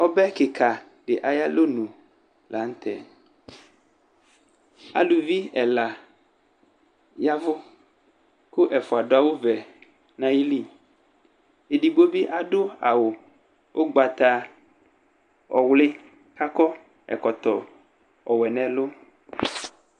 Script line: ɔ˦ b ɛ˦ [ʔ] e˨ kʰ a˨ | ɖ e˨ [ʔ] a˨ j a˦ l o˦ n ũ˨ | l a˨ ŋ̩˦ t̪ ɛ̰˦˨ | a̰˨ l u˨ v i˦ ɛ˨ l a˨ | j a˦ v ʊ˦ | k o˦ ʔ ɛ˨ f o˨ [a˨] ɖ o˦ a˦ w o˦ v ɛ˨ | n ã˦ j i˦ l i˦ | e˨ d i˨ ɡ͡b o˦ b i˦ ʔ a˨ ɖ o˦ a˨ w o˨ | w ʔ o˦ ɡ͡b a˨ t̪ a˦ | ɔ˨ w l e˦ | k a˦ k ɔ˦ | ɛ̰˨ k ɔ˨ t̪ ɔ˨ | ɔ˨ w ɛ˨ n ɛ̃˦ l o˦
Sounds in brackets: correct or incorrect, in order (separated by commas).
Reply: incorrect, correct, correct